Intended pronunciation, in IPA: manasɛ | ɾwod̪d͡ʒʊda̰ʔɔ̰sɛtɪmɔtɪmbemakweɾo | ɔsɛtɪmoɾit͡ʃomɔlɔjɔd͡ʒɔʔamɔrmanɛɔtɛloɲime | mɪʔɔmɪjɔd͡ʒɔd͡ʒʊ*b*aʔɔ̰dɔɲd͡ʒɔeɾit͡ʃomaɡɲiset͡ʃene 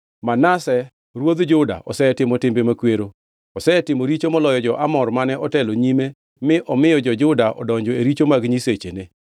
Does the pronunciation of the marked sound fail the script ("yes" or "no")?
yes